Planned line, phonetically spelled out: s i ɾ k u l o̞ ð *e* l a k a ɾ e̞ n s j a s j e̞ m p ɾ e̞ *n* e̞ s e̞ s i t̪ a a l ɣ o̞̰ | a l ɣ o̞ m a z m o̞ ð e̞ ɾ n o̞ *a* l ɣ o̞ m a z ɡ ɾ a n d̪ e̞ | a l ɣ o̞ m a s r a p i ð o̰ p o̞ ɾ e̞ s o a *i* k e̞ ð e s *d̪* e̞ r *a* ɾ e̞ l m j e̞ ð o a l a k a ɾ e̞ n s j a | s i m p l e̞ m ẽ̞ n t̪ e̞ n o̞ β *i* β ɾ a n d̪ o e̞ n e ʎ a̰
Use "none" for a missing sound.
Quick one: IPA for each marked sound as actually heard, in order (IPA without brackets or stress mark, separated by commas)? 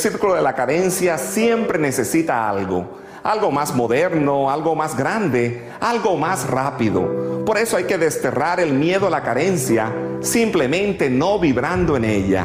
e, n, a, j, t̪, a, i